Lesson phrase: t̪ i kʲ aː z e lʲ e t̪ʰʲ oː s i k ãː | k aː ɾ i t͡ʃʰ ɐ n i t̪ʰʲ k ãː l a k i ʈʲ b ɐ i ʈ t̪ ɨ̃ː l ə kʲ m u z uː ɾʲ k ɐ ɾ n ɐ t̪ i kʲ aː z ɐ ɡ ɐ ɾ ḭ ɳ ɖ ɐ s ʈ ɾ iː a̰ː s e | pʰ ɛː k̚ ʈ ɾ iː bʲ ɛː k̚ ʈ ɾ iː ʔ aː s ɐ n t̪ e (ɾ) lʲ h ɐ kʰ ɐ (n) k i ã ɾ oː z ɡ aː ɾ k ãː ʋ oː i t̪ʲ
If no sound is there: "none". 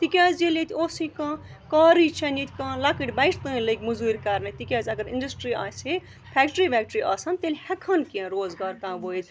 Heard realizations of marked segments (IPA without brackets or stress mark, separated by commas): none, n